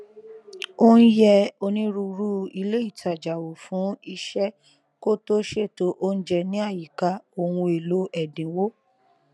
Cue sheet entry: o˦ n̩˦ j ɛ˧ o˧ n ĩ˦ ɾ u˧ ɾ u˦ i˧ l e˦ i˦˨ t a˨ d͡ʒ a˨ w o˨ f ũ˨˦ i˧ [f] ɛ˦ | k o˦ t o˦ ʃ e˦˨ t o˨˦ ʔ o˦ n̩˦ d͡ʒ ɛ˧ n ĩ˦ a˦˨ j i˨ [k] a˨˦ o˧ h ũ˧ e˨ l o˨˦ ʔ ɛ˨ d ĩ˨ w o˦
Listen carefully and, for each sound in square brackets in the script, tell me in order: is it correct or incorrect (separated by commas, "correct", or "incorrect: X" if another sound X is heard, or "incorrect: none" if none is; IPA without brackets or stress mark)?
incorrect: ʃ, correct